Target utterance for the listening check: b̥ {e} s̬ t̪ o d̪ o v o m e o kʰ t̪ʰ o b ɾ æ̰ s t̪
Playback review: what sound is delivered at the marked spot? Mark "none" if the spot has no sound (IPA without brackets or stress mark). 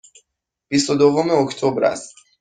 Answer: i